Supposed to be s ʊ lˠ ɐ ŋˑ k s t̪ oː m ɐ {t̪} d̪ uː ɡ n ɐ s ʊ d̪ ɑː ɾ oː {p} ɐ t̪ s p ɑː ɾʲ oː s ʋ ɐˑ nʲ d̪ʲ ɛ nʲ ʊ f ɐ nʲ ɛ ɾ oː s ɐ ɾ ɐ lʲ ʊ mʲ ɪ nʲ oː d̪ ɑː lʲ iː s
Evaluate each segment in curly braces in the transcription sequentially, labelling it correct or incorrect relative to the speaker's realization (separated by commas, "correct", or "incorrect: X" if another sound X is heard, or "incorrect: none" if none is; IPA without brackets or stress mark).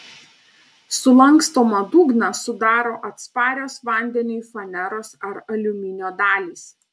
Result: incorrect: none, incorrect: ʔ